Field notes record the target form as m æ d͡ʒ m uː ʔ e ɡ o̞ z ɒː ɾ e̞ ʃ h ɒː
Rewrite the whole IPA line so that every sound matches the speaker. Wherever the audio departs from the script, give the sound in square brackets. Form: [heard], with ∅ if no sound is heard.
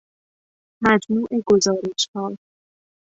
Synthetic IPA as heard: m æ d͡ʒ m uː ʔ e ɡ o̞ z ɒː ɾ e̞ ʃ h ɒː